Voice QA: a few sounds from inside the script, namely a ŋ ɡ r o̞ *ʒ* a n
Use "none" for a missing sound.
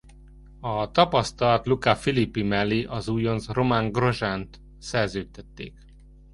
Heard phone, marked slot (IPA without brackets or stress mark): ʒ